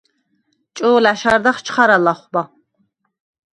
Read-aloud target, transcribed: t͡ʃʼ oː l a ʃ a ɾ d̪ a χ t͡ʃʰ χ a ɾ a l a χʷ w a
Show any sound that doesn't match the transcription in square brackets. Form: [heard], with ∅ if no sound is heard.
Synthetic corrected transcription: t͡ʃʼ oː l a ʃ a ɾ d̪ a χ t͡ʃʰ χ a ɾ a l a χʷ [b] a